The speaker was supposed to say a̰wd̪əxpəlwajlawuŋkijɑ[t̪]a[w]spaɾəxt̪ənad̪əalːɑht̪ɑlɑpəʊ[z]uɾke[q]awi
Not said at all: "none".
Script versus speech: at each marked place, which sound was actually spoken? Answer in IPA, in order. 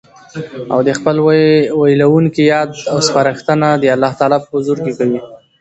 d̪, w, z, k

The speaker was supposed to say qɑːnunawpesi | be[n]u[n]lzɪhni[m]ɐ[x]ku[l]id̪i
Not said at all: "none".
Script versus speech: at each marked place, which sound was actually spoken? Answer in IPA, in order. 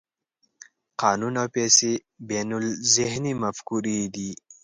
n, none, m, f, ɾ

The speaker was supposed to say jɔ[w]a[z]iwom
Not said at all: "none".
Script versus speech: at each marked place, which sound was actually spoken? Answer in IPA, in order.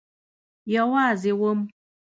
w, z

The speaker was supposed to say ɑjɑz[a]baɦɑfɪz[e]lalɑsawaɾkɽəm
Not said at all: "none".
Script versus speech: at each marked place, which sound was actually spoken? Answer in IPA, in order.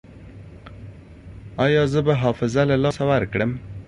ə, a

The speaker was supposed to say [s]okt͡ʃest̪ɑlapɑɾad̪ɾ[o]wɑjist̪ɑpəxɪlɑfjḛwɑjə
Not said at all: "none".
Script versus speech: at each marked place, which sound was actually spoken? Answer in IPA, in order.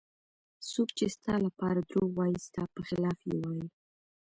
s, o

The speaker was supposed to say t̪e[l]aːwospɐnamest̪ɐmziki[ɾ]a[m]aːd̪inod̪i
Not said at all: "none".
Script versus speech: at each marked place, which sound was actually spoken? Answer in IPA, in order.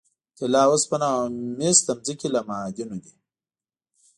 l, l, m

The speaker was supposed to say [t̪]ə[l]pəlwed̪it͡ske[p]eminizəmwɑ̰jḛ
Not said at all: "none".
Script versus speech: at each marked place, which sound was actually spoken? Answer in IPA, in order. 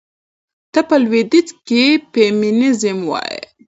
t̪, none, p

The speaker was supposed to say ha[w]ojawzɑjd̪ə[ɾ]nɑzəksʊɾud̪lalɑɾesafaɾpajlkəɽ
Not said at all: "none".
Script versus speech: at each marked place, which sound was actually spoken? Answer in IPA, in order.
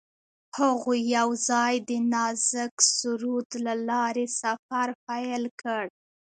ɣ, none

